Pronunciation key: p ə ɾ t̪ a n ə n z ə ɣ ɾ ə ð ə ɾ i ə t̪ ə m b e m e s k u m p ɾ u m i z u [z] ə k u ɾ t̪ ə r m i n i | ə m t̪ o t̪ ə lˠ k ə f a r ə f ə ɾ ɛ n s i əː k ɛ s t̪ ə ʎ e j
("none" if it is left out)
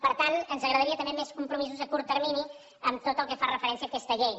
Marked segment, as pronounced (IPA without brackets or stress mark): z